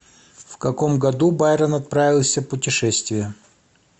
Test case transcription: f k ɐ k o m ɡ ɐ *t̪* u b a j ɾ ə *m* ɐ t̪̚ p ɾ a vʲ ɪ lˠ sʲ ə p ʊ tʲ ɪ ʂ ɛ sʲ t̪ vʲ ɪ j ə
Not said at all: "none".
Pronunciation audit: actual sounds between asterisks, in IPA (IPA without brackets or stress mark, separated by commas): d̪, n